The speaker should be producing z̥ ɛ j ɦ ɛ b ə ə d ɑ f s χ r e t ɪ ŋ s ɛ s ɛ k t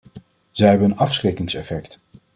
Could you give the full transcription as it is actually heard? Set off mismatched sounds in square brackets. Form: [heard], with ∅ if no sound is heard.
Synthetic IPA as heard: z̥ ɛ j ɦ ɛ b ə ə [n] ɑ f s χ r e [k] ɪ ŋ s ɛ [f] ɛ k t